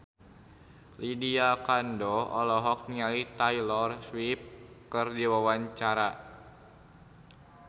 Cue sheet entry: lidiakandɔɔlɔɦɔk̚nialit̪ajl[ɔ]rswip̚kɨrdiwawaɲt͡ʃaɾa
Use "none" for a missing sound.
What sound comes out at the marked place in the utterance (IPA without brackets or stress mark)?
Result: ɔ